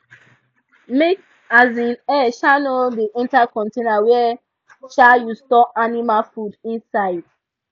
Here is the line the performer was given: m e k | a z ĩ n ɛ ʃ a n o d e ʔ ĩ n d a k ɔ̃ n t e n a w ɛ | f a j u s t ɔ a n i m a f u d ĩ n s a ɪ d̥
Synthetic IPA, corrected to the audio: m e k | a z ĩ n ɛ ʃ a n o d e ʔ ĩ n t a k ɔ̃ n t e n a w ɛ | ʃ a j u s t ɔ a n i m a f u d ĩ n s a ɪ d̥